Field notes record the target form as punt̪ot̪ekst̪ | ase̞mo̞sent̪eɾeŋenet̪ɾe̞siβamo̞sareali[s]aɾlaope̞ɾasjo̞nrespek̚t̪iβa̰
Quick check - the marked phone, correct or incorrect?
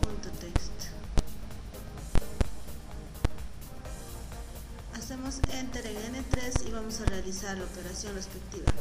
correct